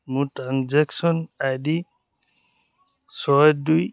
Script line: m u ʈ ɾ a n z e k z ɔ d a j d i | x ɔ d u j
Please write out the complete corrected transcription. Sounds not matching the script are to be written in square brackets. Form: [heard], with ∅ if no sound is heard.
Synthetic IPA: m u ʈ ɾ a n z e k [s] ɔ [n] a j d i | [s] ɔ d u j